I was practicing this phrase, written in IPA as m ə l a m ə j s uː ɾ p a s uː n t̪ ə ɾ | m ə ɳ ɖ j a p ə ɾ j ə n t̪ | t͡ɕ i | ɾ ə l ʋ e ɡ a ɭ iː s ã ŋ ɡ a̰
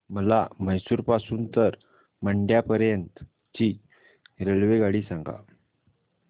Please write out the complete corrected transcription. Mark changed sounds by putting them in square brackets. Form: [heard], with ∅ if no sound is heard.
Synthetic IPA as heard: m ə l a m ə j s uː ɾ p a s uː n t̪ ə ɾ | m ə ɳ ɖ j a p ə ɾ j ə n t̪ | t͡ɕ i | ɾ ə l ʋ e ɡ a [ɽ] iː s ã ŋ ɡ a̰